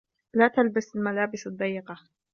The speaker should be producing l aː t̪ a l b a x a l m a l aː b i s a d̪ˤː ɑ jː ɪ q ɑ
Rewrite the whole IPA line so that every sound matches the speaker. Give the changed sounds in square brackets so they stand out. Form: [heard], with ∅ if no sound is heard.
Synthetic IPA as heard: l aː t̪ a l b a [s] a l m a l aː b [ɪ] s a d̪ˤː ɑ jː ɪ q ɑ